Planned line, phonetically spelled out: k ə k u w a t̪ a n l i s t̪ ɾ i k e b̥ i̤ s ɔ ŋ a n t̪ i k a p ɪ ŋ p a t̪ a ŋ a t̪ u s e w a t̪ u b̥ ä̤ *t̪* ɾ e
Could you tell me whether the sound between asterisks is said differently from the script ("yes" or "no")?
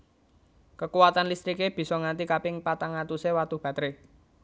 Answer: no